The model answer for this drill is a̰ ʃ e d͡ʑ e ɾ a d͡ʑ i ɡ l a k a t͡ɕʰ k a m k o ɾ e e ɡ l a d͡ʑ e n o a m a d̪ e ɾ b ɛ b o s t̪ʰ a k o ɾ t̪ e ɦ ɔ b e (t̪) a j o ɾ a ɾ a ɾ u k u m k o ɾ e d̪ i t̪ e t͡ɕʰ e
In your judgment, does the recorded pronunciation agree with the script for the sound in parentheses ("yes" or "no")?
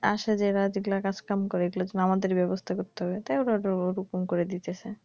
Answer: yes